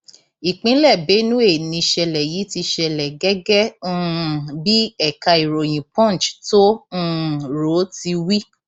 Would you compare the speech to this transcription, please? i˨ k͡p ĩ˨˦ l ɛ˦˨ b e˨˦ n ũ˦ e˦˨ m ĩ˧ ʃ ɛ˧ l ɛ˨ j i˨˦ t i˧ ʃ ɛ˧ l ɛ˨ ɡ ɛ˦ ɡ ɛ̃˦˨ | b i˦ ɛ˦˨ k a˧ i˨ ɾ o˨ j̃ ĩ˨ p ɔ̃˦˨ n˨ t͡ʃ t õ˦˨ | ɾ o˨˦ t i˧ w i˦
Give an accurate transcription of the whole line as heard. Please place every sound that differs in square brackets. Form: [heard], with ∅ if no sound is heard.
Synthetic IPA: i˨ k͡p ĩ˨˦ l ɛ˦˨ b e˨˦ n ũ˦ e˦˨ [n] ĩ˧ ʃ ɛ˧ l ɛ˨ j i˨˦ t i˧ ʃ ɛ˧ l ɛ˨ ɡ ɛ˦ ɡ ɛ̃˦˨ | b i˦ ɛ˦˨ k a˧ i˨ ɾ o˨ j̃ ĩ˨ p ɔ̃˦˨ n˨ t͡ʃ t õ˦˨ | ɾ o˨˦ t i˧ w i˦